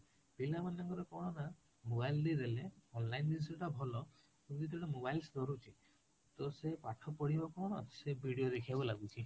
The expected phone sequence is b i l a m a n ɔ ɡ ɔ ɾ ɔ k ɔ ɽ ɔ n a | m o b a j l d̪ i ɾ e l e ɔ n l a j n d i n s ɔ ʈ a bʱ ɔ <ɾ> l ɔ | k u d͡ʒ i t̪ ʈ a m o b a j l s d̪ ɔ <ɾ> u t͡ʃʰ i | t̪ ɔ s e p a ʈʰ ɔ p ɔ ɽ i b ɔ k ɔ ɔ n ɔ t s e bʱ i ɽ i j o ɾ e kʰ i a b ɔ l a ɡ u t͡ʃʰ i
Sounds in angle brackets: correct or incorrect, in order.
incorrect: none, correct

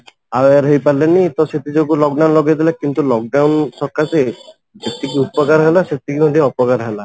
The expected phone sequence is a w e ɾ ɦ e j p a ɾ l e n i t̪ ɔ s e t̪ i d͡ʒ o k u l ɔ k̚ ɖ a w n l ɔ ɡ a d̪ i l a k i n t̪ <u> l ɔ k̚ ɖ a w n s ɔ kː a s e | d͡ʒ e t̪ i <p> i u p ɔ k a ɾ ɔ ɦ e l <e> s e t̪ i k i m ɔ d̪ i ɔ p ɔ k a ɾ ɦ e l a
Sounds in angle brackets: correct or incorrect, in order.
correct, incorrect: k, incorrect: a

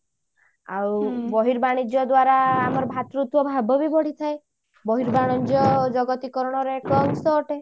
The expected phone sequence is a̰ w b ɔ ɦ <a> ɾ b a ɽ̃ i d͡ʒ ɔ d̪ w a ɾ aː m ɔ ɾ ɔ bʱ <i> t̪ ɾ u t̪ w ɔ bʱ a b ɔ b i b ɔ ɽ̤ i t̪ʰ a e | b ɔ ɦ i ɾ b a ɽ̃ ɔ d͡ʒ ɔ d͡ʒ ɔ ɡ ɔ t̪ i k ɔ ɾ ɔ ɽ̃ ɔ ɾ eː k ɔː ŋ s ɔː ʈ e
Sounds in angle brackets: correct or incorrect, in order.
incorrect: i, incorrect: a

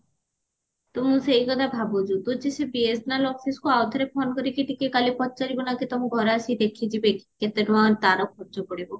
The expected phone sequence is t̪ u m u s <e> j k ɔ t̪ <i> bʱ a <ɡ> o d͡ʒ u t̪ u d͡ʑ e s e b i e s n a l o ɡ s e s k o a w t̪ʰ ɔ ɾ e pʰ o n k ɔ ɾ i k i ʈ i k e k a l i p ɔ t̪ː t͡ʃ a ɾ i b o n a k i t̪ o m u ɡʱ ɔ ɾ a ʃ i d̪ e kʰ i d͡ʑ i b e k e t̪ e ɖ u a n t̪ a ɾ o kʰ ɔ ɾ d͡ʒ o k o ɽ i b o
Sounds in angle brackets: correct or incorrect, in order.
correct, incorrect: a, incorrect: b

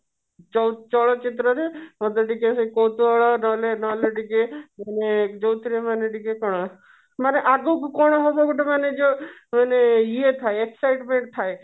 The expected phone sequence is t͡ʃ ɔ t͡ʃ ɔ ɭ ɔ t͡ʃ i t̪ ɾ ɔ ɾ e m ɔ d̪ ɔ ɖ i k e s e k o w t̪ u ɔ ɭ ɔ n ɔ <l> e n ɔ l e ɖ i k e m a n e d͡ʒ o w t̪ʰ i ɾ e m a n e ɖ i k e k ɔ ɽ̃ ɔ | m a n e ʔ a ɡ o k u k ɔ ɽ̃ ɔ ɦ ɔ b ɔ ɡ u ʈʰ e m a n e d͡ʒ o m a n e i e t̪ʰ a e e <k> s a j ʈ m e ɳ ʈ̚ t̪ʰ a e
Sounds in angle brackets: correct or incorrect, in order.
correct, correct

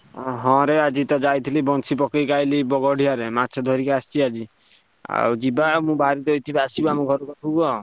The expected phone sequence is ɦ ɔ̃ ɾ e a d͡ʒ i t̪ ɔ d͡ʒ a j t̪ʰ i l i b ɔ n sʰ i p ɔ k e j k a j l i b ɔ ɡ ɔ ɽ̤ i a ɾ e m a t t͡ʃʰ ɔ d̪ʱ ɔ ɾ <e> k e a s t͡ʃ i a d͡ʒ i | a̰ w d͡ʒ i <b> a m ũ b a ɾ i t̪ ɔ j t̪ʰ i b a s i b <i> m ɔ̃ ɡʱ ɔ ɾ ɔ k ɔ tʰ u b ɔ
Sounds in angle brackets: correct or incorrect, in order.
incorrect: i, correct, incorrect: a

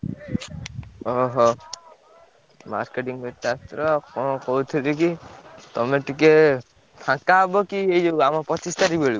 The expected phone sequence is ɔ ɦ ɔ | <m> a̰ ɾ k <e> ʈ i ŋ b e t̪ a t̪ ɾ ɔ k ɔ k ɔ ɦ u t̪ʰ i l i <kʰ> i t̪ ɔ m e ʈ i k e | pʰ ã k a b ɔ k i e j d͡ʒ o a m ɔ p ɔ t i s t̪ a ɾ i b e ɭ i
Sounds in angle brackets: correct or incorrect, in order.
correct, correct, incorrect: k

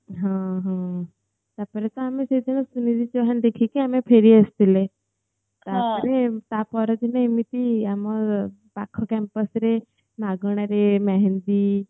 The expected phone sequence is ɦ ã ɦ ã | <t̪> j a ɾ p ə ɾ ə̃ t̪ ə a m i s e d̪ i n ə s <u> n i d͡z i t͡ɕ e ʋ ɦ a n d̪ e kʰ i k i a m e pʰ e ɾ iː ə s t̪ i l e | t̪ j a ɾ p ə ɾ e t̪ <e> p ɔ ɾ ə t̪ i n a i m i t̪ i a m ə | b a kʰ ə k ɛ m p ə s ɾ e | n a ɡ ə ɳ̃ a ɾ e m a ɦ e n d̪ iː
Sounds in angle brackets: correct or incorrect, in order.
correct, correct, incorrect: a

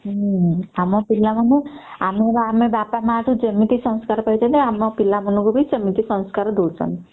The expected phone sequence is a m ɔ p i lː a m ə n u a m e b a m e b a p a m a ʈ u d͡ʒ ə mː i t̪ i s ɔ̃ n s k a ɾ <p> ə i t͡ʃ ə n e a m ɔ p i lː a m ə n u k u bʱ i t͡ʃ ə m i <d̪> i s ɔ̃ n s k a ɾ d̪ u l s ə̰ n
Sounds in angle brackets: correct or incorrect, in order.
correct, incorrect: t̪

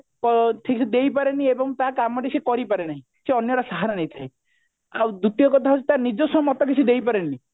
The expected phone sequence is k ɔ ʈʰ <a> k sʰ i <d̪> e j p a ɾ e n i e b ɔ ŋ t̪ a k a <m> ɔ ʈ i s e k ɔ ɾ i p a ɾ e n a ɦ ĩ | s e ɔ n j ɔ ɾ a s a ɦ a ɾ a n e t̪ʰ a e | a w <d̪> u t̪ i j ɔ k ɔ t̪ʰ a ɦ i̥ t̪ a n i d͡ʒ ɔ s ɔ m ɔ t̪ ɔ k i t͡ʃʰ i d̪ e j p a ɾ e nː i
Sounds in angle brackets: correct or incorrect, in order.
incorrect: i, correct, correct, correct

